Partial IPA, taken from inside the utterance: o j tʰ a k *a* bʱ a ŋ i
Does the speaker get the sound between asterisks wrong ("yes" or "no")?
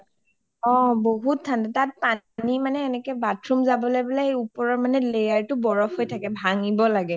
yes